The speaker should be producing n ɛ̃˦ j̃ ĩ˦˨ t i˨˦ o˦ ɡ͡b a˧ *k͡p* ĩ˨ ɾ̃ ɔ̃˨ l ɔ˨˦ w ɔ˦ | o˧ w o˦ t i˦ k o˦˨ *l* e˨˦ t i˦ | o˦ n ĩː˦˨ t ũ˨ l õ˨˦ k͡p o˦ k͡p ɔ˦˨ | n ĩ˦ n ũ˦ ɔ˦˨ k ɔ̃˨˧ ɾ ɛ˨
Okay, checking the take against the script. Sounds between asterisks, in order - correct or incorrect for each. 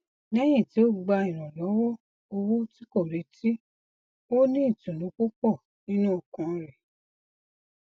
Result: incorrect: none, incorrect: ɾ

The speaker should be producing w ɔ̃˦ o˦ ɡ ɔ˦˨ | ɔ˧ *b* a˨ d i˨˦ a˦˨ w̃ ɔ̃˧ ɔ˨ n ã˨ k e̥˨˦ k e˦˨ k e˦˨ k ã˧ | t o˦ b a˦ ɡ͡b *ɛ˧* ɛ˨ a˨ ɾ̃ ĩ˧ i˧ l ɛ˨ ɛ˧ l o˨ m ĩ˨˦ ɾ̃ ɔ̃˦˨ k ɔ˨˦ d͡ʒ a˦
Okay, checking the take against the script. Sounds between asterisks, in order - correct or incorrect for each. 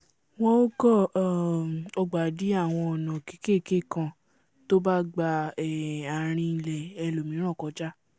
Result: incorrect: ɡ͡b, incorrect: a˧

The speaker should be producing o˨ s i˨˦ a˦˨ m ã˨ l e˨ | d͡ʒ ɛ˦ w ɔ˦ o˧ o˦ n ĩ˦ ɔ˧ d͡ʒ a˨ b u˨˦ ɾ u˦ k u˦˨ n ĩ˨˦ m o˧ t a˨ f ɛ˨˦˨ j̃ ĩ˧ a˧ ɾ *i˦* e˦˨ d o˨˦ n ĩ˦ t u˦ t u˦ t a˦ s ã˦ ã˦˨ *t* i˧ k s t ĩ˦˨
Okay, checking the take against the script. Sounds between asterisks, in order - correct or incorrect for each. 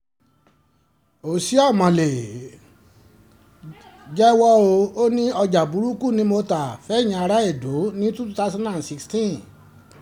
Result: incorrect: a˦, incorrect: s

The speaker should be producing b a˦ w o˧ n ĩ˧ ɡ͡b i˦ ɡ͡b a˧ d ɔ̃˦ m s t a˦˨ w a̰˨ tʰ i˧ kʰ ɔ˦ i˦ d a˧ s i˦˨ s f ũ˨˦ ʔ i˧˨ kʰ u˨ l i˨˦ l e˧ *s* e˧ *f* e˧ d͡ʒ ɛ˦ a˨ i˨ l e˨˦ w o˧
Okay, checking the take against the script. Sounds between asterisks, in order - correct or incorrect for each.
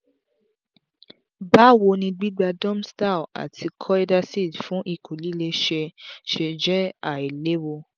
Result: incorrect: ʃ, incorrect: ʃ

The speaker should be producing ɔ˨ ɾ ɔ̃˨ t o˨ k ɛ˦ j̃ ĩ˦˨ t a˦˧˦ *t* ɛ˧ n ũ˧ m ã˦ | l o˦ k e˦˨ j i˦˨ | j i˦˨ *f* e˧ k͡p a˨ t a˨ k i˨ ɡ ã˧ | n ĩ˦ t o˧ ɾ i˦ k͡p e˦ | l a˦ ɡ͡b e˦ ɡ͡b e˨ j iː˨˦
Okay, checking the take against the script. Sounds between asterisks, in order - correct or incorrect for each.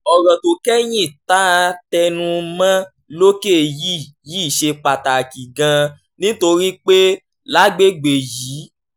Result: correct, incorrect: ʃ

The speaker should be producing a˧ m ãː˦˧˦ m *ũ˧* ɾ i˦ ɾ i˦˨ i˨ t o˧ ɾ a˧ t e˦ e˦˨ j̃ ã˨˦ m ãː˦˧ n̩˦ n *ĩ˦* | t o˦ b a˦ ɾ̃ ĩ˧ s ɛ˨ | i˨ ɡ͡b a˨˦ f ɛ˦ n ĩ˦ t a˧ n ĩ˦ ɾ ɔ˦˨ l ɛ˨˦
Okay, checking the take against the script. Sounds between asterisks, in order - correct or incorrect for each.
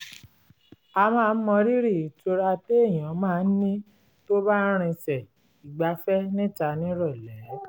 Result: incorrect: ɔ̃˧, correct

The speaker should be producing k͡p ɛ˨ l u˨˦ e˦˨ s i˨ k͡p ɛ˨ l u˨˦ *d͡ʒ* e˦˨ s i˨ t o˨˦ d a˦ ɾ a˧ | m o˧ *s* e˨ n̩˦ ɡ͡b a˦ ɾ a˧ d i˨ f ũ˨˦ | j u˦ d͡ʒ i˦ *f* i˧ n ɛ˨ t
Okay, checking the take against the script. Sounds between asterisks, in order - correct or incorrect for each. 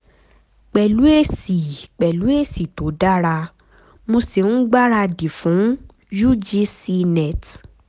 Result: incorrect: none, correct, incorrect: s

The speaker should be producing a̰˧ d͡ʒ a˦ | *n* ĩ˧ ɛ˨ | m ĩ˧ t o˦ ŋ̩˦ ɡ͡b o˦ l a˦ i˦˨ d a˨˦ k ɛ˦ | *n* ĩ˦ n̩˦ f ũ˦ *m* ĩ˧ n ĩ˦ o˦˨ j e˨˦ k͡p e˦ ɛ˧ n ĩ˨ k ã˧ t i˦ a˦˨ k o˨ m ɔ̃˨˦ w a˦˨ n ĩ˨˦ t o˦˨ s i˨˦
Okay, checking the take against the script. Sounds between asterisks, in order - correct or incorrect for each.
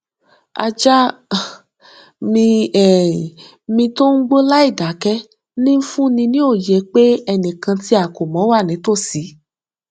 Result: incorrect: m, correct, incorrect: n

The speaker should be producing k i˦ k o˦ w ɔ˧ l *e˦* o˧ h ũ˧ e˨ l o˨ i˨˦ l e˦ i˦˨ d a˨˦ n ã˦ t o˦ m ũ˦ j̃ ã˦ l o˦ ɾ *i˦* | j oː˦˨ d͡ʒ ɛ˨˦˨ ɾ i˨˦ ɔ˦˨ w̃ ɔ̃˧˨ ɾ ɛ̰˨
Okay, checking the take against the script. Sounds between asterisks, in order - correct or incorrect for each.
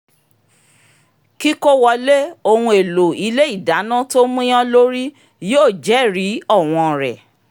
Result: correct, correct

